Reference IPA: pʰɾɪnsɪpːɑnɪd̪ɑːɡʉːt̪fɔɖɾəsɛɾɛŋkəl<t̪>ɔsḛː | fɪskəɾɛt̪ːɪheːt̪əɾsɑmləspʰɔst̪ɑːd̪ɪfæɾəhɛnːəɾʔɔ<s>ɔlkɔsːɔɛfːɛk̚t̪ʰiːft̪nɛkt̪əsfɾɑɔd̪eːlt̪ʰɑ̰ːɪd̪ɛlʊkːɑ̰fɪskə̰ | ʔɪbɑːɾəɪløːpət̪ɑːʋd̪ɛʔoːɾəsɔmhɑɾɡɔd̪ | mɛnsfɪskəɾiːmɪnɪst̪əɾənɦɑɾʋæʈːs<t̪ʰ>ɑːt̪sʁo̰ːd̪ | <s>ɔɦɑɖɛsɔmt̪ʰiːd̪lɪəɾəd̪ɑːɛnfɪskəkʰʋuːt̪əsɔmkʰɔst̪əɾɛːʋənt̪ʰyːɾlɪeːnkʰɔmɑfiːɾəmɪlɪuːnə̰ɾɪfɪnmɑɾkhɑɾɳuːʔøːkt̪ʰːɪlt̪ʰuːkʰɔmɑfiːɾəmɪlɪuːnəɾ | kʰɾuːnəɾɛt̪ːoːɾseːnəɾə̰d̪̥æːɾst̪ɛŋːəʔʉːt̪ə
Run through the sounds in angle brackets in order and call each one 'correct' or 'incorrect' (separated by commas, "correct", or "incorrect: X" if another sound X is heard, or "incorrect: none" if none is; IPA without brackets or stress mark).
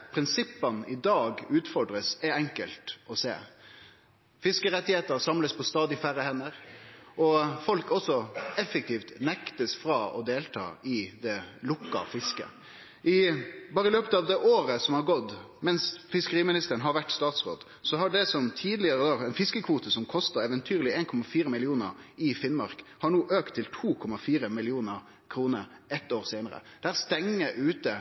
correct, incorrect: f, incorrect: t̪, correct